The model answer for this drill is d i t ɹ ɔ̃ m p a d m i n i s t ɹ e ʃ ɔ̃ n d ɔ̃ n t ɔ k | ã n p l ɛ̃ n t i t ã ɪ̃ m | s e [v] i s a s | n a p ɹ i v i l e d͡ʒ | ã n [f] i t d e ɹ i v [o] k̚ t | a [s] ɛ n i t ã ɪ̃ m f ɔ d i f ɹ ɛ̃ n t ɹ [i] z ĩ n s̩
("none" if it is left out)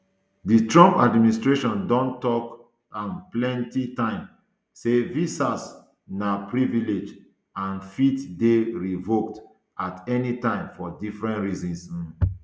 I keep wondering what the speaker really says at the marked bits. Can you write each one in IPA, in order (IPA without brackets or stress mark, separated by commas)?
v, f, o, t, i